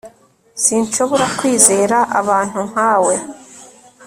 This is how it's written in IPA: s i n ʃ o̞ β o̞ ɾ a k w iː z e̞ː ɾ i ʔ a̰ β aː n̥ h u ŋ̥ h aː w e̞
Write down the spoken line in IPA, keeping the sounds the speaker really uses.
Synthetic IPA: s i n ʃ o̞ β o̞ ɾ a k w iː z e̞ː ɾ a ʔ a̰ β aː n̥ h u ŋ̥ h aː w e̞